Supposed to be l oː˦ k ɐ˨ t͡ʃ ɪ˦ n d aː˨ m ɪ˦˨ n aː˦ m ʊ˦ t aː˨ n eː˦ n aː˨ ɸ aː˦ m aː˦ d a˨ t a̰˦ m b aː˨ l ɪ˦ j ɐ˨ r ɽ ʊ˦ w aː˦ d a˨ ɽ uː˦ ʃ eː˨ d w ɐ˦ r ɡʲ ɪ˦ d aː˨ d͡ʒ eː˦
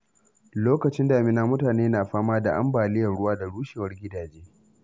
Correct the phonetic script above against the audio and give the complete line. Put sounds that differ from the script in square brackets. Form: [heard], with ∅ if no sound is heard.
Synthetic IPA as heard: l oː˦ k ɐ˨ t͡ʃ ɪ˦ n d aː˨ m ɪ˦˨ n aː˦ m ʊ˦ t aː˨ n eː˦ n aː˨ ɸ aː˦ m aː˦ d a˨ [ʔ] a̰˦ m b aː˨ l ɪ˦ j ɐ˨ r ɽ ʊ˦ w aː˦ d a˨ ɽ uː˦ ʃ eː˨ [∅] w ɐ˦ r ɡʲ ɪ˦ d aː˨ d͡ʒ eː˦